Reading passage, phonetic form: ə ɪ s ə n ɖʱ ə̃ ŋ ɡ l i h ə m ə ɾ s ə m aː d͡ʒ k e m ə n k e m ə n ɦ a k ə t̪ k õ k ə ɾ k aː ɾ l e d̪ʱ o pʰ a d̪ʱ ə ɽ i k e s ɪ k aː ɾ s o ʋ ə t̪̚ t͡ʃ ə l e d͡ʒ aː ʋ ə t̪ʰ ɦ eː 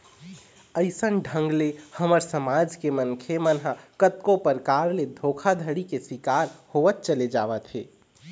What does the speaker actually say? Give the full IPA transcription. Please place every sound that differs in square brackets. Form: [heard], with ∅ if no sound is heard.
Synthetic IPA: ə ɪ s ə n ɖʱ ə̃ ŋ ɡ l [e] h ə m ə ɾ s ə m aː d͡ʒ k e m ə n [kʰ] e m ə n ɦ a k ə t̪ k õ [p] ə ɾ k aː ɾ l e d̪ʱ o [kʰ] a d̪ʱ ə ɽ i k e s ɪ k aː ɾ [h] o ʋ ə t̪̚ t͡ʃ ə l e d͡ʒ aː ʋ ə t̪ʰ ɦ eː